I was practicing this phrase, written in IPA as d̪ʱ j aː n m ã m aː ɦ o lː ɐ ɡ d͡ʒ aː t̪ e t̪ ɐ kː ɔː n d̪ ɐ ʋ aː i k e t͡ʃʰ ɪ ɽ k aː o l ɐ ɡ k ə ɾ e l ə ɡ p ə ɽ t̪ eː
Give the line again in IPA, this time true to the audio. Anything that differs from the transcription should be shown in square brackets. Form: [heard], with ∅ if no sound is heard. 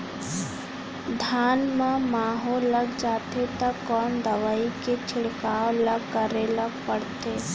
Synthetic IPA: d̪ʱ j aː n m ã m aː ɦ o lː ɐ ɡ d͡ʒ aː t̪ e t̪ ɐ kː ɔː n d̪ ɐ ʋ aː i k e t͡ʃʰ ɪ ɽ k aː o l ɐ ɡ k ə ɾ e l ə ɡ p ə ɽ t̪ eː